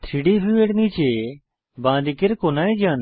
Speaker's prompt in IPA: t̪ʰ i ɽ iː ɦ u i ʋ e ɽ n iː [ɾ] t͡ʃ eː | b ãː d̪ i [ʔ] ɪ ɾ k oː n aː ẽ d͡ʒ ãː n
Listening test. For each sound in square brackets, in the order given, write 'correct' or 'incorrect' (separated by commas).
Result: incorrect, incorrect